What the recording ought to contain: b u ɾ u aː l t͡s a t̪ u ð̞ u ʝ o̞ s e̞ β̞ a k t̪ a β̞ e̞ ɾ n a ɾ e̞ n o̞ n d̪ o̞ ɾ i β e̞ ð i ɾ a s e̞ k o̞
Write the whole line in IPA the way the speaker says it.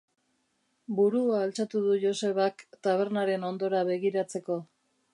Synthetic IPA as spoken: b u ɾ u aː l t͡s a t̪ u ð̞ u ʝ o̞ s e̞ β̞ a k t̪ a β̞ e̞ ɾ n a ɾ e̞ n o̞ n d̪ o̞ ɾ a β e̞ ɣ i ɾ a t͡s e̞ k o̞

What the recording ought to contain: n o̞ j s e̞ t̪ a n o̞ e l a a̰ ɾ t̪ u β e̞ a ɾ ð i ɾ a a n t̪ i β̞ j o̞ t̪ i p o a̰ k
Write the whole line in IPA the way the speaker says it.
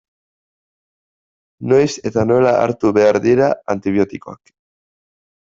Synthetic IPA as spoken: n o̞ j s e̞ t̪ a n o̞ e l a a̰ ɾ t̪ u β e̞ a ɾ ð i ɾ a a n t̪ i β̞ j o̞ t̪ i k o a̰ k

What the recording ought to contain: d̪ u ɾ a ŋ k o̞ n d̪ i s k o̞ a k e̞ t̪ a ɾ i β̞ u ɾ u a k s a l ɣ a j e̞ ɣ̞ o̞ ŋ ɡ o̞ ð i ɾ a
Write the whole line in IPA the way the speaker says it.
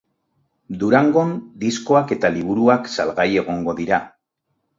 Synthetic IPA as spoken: d̪ u ɾ a ŋ ɡ o̞ n d̪ i s k o̞ a k e̞ t̪ a l i β̞ u ɾ u a k s a l ɣ a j e̞ ɣ̞ o̞ ŋ ɡ o̞ ð i ɾ a

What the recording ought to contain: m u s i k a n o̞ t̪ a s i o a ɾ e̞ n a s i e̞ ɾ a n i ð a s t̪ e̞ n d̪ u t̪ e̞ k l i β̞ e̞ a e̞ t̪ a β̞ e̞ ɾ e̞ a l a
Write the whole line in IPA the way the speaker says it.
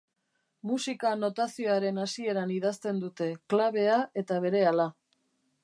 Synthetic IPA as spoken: m u s i k a n o̞ t̪ a s i o a ɾ e̞ n a s i e̞ ɾ a n i ð a s t̪ e̞ n d̪ u t̪ e̞ k l a β̞ e̞ a e̞ t̪ a β̞ e̞ ɾ e̞ a l a

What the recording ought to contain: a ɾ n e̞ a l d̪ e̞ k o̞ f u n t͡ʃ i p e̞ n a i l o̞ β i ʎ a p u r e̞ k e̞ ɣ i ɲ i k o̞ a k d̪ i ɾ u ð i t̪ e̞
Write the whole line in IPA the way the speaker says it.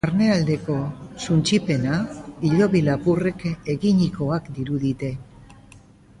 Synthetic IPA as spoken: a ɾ n e̞ a l d̪ e̞ k o̞ s u n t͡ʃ i p e̞ n a i ʎ o̞ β i l a p u r e̞ k e̞ ɣ i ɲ i k o̞ a k d̪ i ɾ u ð i t̪ e̞

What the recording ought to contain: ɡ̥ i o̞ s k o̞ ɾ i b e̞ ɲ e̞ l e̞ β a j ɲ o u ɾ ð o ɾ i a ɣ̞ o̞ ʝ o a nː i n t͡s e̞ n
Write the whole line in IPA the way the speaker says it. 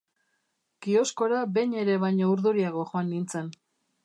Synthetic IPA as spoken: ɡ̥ i o̞ s k o̞ ɾ a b e̞ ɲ e̞ ɾ e̞ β a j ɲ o u ɾ ð u ɾ i a ɣ̞ o̞ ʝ o a nː i n t͡s e̞ n

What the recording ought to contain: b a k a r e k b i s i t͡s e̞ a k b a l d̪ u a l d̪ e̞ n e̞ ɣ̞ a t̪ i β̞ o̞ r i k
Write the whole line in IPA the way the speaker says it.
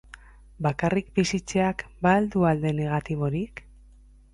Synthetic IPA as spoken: b a k a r i k b i s i t͡s e̞ a k b a l d̪ u a l d̪ e̞ n e̞ ɣ̞ a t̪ i β̞ o̞ ɾ i k

